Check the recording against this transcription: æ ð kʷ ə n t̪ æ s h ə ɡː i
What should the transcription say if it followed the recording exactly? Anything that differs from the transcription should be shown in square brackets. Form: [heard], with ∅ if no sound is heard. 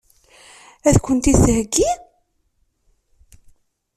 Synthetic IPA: æ ð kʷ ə n t̪ [i] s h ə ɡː i